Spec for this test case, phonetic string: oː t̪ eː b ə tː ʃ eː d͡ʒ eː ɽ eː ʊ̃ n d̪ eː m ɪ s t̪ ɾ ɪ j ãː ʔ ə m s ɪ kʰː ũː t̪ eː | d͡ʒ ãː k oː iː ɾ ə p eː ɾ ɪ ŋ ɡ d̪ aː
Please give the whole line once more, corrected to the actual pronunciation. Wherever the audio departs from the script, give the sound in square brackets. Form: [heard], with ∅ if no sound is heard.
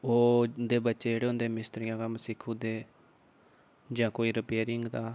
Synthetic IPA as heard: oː [d̪] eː b ə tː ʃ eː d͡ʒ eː ɽ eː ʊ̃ n d̪ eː m ɪ s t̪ ɾ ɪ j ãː [k] ə m s ɪ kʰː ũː [d̪] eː | d͡ʒ ãː k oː iː ɾ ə p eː ɾ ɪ ŋ ɡ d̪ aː

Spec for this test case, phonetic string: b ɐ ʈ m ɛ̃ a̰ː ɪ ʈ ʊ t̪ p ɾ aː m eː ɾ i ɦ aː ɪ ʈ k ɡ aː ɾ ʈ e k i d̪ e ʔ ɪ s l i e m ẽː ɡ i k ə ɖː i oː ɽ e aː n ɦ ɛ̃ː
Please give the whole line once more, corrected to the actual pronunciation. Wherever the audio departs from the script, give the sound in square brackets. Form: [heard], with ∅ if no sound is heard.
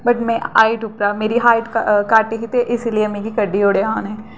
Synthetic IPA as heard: b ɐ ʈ m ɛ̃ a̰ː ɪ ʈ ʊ [∅] p ɾ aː m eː ɾ i ɦ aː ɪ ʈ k [k] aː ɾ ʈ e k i [t̪] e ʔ ɪ s l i e m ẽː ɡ i k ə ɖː i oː ɽ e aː n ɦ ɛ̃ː

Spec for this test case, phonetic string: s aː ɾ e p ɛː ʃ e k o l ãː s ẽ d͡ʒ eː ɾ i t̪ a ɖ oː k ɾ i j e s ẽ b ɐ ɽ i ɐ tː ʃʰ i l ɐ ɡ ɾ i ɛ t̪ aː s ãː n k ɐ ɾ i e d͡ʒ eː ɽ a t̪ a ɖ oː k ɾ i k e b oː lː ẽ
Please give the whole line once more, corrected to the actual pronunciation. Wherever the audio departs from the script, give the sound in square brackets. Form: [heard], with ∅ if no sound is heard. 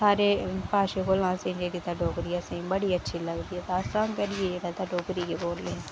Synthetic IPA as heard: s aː ɾ e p [aː] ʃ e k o l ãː s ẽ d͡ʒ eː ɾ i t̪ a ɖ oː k ɾ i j [a] s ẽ b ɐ ɽ i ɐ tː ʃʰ i l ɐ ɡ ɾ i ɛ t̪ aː s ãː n k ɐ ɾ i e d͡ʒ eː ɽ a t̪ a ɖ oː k ɾ i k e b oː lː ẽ

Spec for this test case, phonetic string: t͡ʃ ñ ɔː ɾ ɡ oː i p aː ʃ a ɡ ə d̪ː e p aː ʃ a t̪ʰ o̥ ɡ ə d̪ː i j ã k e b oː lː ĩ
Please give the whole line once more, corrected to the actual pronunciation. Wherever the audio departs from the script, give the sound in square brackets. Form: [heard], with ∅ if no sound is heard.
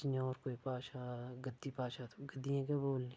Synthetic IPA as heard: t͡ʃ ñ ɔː ɾ [k] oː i p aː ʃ a ɡ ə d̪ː [i] p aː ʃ a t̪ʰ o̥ ɡ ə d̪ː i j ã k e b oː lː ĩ

